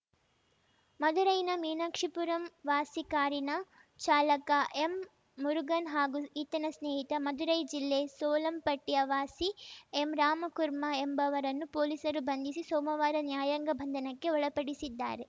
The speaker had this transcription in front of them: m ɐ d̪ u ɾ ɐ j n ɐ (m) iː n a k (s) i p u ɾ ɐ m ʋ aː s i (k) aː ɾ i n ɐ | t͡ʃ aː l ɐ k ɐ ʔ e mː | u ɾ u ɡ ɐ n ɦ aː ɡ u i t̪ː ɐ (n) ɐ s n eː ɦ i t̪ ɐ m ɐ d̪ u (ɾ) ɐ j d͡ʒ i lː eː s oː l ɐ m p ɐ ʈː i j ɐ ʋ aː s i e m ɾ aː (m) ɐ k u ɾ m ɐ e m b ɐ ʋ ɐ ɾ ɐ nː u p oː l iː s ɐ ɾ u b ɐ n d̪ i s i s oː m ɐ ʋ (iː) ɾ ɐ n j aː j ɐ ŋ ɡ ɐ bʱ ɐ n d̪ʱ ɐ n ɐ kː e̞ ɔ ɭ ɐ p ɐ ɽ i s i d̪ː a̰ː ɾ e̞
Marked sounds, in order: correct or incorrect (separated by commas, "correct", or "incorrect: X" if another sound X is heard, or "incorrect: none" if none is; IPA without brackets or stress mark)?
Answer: correct, incorrect: ʂ, correct, correct, correct, correct, incorrect: aː